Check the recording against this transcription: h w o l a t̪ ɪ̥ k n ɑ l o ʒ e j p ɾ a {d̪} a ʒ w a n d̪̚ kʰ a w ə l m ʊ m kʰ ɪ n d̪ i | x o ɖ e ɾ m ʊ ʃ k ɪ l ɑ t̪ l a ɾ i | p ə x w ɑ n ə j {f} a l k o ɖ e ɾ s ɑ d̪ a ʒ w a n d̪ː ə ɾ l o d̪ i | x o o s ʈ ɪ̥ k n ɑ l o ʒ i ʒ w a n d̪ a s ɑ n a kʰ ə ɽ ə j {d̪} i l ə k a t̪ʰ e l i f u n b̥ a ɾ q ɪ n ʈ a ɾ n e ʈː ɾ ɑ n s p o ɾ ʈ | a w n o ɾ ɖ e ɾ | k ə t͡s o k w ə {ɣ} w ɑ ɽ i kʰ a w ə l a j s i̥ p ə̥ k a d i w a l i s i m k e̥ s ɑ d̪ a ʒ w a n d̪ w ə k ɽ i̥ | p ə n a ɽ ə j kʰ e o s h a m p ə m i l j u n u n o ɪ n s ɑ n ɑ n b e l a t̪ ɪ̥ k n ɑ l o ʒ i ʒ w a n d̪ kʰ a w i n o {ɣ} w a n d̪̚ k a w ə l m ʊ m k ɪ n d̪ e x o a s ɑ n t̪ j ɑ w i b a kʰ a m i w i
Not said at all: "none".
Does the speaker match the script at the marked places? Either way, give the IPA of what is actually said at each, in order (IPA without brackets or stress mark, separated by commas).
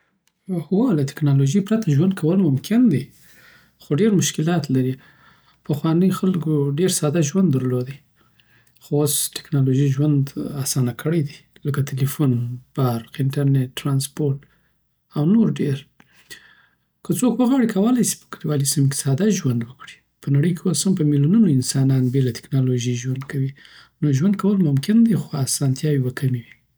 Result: t̪, x, d̪, ɣ, ʒ